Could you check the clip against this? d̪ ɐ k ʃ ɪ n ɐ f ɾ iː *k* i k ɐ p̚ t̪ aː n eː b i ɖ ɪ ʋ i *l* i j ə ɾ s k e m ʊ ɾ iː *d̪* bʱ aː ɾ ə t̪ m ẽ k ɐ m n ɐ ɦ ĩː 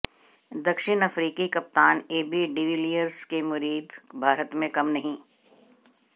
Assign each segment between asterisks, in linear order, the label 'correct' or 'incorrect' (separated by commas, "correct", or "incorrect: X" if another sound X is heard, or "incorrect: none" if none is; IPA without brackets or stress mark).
correct, correct, correct